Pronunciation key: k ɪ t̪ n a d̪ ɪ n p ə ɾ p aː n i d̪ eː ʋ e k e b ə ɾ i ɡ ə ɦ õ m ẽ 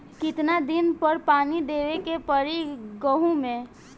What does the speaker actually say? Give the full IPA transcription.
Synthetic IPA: k ɪ t̪ n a d̪ ɪ n p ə ɾ p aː n i d̪ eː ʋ e k e p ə ɾ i ɡ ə ɦ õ m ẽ